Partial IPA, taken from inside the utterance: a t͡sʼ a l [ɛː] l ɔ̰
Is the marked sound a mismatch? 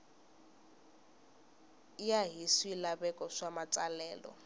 no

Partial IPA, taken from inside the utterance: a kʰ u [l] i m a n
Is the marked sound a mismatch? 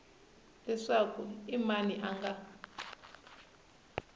yes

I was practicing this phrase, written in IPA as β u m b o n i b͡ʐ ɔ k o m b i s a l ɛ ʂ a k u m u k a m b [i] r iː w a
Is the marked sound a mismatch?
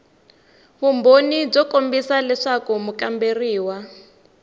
yes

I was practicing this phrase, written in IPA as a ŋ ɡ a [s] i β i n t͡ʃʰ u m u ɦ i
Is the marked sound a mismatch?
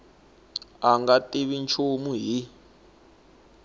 yes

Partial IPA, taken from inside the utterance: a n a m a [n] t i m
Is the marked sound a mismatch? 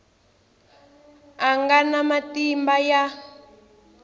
yes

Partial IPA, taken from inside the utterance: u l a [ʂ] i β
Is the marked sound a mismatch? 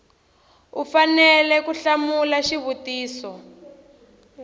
yes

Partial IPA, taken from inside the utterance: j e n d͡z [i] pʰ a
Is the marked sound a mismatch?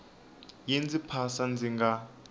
no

